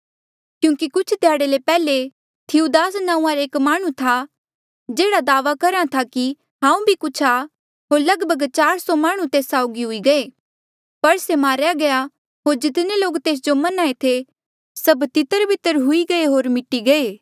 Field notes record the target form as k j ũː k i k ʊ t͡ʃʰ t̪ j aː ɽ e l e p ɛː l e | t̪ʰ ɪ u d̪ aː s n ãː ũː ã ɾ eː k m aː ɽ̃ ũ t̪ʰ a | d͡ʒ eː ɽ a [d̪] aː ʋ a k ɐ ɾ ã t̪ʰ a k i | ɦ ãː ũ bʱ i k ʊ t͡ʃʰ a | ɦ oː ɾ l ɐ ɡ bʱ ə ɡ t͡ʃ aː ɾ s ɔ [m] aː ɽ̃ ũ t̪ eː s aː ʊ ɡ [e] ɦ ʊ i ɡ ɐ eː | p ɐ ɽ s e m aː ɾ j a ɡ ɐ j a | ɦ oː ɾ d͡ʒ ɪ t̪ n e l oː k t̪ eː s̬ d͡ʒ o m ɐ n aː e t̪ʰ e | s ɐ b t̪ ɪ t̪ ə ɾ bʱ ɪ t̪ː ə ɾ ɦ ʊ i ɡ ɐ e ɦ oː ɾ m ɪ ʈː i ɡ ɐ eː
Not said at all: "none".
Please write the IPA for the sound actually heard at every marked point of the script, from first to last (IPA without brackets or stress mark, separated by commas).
d̪, m, i